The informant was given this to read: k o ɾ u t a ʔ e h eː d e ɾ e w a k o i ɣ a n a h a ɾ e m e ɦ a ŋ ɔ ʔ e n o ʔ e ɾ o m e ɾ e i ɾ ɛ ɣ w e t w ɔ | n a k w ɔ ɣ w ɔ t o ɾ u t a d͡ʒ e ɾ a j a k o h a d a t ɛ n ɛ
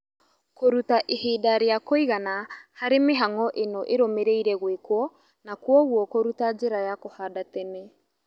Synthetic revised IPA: k o ɾ u t a ʔ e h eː d a ɾ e a k o i ɣ a n a h a ɾ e m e ɦ a ŋ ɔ ʔ e n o ʔ e ɾ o m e ɾ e i ɾ ɛ ɣ w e k w ɔ | n a k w ɔ ɣ w ɔ k o ɾ u t a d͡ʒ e ɾ a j a k o h a d a t ɛ n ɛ